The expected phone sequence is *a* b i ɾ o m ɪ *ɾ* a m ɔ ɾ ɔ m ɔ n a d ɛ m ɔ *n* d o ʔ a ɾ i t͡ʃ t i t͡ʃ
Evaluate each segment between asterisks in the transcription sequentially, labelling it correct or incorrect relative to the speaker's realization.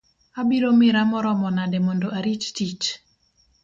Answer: correct, correct, correct

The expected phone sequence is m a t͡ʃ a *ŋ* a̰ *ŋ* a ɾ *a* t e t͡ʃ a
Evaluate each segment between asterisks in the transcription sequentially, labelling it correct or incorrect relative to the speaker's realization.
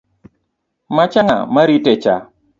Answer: correct, incorrect: m, incorrect: i

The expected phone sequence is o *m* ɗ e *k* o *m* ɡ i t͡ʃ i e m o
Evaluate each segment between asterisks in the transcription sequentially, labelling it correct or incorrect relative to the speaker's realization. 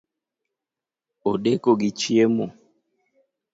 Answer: incorrect: none, correct, incorrect: none

